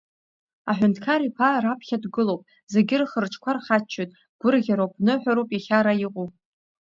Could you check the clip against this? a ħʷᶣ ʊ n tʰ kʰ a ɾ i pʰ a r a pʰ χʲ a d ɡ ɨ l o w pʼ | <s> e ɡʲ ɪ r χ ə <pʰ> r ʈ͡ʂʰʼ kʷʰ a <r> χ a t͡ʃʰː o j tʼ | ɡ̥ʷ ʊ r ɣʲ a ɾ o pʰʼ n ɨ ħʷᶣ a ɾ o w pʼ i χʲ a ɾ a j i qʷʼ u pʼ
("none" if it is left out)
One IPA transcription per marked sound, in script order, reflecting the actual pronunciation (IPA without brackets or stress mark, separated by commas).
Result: z, none, r